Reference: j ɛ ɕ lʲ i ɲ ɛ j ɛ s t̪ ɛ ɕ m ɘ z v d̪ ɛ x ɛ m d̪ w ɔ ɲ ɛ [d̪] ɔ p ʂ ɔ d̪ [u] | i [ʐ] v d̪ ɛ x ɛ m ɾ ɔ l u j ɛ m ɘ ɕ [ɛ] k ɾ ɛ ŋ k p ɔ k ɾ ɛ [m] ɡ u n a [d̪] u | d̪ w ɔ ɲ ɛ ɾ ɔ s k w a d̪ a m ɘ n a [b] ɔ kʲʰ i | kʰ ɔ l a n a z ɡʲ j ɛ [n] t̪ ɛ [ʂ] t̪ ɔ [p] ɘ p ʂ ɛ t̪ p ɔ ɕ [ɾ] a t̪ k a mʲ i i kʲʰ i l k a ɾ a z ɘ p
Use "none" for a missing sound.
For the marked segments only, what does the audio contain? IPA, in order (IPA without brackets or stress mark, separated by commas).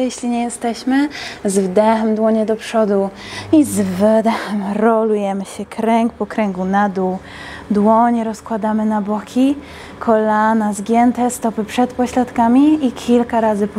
d̪, u, z, ɛ, ŋ, d̪, b, n, s, p, l